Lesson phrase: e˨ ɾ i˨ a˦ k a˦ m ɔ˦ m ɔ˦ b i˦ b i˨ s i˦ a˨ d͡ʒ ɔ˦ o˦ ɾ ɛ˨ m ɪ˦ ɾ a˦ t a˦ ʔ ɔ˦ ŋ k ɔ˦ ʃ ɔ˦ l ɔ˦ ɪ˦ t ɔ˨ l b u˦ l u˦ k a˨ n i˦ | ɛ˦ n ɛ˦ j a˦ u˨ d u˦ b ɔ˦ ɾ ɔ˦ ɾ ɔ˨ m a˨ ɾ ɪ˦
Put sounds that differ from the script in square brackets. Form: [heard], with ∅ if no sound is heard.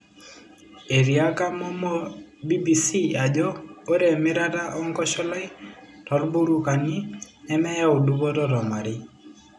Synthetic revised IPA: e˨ ɾ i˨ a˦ k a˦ m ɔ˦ m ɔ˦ b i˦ b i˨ s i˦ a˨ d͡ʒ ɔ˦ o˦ ɾ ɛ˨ m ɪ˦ ɾ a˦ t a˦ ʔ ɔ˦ ŋ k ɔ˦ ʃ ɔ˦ l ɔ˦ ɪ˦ t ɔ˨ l b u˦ [ɾ] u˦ k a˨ n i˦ | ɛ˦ [m] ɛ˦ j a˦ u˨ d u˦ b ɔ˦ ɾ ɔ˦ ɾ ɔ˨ m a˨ ɾ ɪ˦